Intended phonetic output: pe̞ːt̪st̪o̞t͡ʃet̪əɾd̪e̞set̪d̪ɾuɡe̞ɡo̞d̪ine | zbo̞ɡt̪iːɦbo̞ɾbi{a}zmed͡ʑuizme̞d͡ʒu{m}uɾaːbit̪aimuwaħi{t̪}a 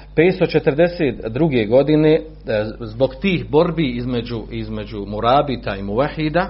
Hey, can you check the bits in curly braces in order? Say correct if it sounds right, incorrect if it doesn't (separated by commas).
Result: incorrect, correct, incorrect